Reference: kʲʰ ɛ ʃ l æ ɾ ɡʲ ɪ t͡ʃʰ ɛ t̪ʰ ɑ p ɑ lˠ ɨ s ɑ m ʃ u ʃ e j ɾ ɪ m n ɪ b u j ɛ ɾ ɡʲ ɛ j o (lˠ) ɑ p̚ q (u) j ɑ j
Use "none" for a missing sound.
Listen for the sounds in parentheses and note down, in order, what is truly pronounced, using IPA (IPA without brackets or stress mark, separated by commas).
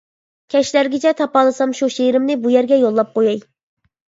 lˠː, o